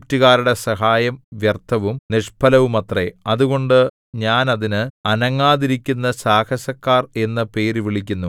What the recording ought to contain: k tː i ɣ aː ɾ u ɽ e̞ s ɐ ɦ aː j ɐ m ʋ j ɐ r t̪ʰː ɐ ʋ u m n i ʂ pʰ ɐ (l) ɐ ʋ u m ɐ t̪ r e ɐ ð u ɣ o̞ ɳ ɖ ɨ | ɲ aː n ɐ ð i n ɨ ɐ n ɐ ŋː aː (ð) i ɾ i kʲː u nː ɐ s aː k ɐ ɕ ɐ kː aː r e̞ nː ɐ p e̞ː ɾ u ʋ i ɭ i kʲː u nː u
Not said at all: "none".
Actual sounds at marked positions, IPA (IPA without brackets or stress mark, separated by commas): l, ð